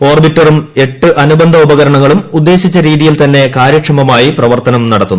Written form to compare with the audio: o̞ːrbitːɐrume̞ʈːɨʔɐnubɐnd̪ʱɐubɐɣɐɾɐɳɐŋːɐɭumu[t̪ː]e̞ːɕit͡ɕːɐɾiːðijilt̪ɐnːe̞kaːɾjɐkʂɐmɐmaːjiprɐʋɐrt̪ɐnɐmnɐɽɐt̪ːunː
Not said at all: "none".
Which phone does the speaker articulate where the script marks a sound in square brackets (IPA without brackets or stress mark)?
d̪ː